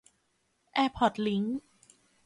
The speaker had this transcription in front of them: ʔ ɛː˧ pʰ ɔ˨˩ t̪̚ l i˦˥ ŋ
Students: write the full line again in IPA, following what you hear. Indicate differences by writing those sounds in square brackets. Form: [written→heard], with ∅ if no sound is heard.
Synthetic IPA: ʔ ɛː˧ pʰ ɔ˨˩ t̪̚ l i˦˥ ŋ